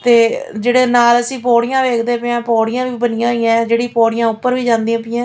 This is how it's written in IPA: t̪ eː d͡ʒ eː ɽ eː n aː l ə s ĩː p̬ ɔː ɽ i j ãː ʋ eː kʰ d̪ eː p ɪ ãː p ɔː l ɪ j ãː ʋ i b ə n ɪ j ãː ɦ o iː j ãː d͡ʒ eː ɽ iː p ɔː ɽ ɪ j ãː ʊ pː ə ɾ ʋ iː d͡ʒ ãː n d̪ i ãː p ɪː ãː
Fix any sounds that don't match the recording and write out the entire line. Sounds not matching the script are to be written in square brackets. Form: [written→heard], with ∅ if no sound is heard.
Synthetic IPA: t̪ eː d͡ʒ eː ɽ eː n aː l ə s ĩː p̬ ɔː ɽ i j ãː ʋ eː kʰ d̪ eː p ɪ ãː p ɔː [l→ɽ] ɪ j ãː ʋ [i→iː] b ə n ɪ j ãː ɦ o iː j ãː d͡ʒ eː ɽ iː p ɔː ɽ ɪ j ãː ʊ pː ə ɾ ʋ iː d͡ʒ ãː n d̪ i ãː p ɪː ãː